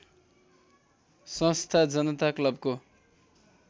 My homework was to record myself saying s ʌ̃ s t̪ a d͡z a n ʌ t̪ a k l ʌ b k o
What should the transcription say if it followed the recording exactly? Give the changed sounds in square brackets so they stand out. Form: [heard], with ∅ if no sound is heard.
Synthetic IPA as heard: s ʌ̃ s [t̪ʰ] a d͡z [ʌ] n ʌ t̪ a k l ʌ b k o